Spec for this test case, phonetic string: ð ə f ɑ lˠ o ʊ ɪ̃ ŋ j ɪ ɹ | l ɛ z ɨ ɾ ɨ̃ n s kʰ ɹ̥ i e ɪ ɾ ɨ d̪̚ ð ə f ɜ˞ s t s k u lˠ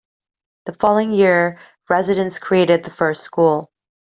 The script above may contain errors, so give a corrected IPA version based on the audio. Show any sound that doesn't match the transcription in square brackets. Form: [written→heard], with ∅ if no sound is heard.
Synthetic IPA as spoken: ð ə f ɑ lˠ o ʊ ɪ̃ ŋ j ɪ ɹ | [l→ɹ] ɛ z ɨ ɾ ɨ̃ n s kʰ ɹ̥ i e ɪ ɾ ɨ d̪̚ ð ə f ɜ˞ s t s k u lˠ